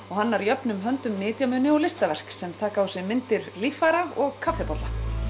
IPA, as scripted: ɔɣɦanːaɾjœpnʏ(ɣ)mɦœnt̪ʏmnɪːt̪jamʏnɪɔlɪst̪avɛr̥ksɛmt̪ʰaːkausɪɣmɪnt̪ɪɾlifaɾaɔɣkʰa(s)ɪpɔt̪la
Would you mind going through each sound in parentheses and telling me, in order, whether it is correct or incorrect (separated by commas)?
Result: incorrect, incorrect